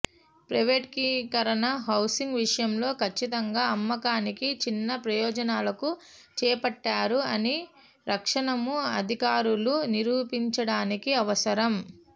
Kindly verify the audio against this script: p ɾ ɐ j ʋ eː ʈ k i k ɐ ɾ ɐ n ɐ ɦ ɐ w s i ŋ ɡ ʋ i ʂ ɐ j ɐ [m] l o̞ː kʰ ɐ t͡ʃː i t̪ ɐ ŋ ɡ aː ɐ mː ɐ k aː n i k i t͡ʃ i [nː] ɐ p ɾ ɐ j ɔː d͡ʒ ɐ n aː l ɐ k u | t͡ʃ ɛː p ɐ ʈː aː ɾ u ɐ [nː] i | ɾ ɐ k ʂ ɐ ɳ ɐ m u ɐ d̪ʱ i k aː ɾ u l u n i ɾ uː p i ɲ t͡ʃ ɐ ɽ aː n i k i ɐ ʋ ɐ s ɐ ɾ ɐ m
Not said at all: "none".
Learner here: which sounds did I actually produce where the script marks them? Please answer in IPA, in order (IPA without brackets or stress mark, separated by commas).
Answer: m, nː, n